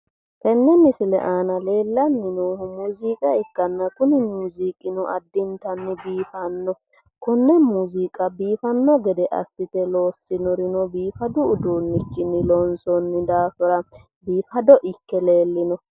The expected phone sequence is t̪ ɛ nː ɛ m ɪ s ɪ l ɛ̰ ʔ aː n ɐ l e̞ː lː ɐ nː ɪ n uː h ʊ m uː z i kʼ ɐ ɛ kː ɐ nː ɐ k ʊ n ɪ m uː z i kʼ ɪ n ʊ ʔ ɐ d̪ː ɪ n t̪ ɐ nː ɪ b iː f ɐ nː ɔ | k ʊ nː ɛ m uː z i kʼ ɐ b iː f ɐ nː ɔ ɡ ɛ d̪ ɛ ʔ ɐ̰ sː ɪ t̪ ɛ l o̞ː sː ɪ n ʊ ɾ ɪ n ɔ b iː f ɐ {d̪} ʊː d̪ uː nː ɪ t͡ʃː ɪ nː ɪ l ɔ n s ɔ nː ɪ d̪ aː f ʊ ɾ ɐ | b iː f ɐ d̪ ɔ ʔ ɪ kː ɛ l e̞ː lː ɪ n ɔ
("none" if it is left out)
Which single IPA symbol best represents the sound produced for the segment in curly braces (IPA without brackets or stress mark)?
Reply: d̪